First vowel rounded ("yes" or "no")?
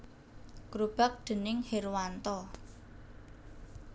yes